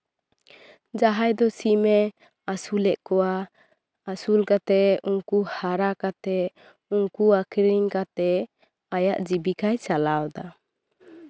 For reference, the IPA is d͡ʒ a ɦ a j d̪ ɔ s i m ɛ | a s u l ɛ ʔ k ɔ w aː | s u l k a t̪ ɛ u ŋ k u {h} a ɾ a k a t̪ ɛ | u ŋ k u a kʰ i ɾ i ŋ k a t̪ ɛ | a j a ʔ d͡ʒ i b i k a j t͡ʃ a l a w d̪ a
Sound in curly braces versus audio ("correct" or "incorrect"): correct